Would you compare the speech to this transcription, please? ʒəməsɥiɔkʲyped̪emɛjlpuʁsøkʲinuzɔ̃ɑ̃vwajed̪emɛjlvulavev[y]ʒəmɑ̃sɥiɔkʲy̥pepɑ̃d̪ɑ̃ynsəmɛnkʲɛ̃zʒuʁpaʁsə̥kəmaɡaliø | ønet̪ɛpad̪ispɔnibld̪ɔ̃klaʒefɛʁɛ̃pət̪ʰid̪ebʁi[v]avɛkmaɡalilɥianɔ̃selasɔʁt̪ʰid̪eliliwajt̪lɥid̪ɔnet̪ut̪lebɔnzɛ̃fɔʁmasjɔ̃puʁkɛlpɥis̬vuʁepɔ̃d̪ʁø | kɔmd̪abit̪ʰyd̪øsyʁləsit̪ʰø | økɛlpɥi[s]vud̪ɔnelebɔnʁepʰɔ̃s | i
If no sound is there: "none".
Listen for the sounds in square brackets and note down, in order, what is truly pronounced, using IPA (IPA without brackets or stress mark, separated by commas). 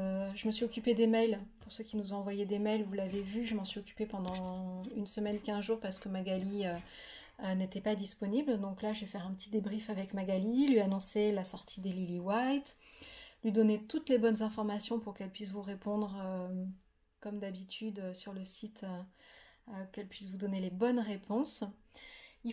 y, f, s